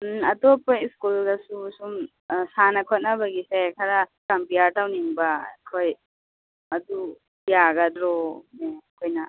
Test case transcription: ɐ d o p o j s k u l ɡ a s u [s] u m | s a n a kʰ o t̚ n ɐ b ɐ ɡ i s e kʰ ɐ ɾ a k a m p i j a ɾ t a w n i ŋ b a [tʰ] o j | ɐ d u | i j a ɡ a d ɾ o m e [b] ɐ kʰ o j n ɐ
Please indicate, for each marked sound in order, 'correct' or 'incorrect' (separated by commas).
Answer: correct, incorrect, incorrect